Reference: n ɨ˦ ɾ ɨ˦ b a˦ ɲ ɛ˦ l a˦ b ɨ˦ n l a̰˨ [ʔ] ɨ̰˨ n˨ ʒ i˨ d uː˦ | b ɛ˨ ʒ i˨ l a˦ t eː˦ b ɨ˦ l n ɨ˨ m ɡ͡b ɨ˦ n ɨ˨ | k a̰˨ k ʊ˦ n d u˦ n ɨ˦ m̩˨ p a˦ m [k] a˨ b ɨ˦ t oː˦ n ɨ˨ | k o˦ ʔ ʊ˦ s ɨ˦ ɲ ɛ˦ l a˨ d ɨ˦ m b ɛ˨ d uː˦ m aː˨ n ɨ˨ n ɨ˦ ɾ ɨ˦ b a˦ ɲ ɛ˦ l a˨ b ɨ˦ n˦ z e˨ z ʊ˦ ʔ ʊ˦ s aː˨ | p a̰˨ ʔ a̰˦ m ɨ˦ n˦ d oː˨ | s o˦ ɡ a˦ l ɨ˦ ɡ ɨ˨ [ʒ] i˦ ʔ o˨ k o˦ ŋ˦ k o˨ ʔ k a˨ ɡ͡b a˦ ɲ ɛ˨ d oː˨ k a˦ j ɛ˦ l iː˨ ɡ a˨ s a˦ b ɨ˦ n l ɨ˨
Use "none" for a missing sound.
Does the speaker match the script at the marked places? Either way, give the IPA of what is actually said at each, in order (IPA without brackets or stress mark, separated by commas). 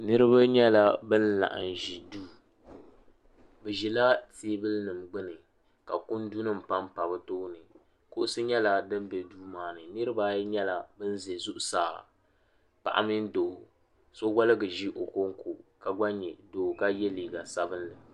ʔ, p, ʒ